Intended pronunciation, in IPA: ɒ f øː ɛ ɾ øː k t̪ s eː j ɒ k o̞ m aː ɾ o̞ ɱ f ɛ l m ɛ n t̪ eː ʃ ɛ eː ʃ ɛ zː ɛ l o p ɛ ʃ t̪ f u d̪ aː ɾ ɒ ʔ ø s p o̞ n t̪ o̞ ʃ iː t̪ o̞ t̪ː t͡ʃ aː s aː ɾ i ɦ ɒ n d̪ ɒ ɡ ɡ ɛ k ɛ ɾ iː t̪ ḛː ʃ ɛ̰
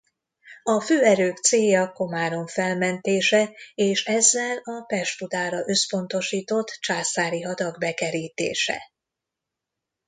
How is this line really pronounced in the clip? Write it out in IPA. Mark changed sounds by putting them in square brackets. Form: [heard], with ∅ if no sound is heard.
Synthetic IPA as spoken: ɒ f øː ɛ ɾ øː k t̪ s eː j ɒ k o̞ m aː ɾ o̞ ɱ f ɛ l m ɛ n t̪ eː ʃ ɛ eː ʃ ɛ zː ɛ l [ɒ] p ɛ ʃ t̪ f u d̪ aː ɾ ɒ ʔ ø s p o̞ n t̪ o̞ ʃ iː t̪ o̞ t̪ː t͡ʃ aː s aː ɾ i ɦ ɒ [∅] d̪ ɒ ɡ [b] ɛ k ɛ ɾ iː t̪ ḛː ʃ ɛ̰